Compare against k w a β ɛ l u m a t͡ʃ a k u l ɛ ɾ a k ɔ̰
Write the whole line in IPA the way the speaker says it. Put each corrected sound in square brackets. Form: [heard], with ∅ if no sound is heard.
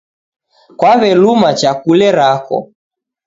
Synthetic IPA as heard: k w a β ɛ l u m a t͡ʃ a k u l ɛ ɾ a k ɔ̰